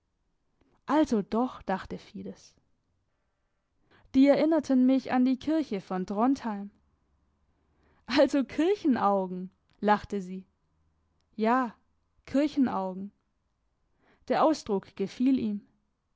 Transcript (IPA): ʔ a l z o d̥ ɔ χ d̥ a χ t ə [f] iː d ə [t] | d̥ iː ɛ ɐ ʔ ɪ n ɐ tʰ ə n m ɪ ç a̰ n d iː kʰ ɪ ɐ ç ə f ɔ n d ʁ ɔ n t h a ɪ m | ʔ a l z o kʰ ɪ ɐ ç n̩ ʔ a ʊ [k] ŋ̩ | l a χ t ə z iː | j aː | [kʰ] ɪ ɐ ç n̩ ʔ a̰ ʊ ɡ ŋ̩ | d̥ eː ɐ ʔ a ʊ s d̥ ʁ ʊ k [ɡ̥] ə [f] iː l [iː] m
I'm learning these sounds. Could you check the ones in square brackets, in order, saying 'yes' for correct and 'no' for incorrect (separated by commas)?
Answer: yes, no, no, yes, yes, yes, yes